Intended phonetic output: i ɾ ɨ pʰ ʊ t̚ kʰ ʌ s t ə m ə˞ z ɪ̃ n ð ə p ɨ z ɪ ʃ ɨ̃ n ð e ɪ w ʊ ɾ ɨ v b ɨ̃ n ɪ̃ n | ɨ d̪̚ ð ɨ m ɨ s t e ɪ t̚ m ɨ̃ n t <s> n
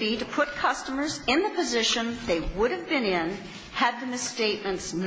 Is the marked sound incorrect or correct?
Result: correct